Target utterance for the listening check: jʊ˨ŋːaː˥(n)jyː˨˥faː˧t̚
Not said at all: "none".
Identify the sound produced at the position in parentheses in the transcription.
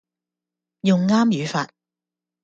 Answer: m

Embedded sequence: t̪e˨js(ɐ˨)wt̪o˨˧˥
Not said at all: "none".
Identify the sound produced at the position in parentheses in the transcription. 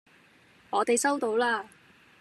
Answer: ɐ˥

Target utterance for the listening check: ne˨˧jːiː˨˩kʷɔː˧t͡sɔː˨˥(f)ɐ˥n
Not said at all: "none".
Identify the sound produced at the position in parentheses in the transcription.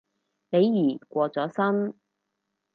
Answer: s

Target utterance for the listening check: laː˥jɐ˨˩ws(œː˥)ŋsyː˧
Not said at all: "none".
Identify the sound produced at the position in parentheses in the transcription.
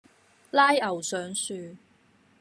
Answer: œː˨˥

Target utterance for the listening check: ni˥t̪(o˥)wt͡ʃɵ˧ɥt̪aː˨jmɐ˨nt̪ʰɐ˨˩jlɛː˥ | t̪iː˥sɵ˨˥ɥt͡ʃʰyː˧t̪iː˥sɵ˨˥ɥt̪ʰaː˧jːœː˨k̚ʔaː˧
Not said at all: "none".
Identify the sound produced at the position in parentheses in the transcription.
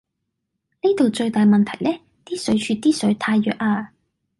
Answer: o˨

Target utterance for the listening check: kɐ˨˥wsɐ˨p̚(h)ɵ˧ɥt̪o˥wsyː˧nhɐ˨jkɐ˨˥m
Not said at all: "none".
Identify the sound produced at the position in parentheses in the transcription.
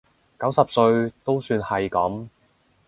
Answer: s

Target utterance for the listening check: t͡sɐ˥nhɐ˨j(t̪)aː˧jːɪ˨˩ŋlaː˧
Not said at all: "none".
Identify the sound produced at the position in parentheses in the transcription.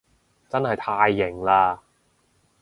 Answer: t̪ʰ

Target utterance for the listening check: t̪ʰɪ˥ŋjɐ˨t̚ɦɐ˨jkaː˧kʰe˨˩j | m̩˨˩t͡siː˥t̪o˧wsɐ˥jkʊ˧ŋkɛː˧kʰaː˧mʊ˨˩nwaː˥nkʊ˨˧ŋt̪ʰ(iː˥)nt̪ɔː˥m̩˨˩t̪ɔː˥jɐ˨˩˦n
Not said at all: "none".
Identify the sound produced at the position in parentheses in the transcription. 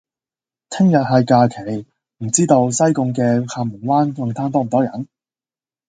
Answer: aː˥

